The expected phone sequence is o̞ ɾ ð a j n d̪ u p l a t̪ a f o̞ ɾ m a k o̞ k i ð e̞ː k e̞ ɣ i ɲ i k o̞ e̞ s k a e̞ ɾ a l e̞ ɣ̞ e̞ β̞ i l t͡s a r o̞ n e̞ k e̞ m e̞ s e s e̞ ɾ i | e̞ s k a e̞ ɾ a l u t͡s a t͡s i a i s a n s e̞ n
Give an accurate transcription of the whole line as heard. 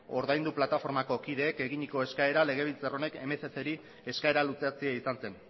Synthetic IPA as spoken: o̞ ɾ ð a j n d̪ u p l a t̪ a f o̞ ɾ m a k o̞ k i ð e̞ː k e̞ ɣ i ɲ i k o̞ e̞ s k a e̞ ɾ a l e̞ ɣ̞ e̞ β̞ i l t͡s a r o̞ n e̞ k e̞ m e̞ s e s e̞ ɾ i | e̞ s k a e̞ ɾ a l u t͡s a t͡s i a i s a n s e̞ n